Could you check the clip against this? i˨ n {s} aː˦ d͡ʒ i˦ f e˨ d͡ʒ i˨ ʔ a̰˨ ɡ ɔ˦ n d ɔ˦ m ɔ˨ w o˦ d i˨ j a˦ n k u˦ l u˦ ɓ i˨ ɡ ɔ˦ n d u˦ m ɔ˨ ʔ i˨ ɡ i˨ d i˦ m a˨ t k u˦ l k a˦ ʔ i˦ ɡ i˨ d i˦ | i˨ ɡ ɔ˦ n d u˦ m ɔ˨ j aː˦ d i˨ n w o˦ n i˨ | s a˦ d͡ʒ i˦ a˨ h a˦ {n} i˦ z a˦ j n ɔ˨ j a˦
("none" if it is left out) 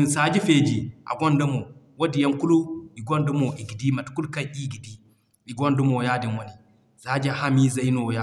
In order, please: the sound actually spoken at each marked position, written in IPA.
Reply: s, m

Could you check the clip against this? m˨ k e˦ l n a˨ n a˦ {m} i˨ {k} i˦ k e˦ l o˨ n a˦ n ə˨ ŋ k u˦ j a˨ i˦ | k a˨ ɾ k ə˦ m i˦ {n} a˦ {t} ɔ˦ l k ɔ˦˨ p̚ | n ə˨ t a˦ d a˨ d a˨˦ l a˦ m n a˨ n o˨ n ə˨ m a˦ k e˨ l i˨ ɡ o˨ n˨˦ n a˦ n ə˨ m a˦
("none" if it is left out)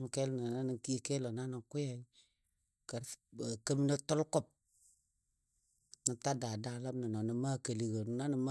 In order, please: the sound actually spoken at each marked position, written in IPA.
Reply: n, k, n, t

